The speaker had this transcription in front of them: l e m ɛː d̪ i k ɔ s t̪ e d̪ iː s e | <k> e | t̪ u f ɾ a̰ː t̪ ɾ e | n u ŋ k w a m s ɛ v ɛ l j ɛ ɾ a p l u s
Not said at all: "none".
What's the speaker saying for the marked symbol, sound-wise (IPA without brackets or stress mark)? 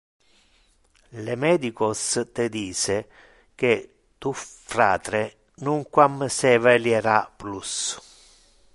k